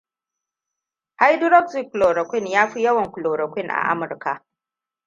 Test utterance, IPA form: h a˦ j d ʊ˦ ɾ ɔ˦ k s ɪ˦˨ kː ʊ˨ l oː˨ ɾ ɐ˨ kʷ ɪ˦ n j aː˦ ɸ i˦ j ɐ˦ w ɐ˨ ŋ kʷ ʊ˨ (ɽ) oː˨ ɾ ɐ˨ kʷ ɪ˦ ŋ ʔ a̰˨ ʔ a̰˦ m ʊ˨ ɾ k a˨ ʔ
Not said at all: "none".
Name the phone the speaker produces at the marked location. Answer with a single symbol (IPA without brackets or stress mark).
l